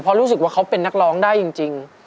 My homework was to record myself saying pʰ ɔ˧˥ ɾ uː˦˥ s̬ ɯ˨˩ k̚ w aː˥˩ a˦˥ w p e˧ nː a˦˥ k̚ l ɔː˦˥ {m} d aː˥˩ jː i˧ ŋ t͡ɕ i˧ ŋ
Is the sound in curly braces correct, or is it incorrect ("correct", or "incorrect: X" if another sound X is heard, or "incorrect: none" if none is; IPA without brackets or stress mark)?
incorrect: ŋ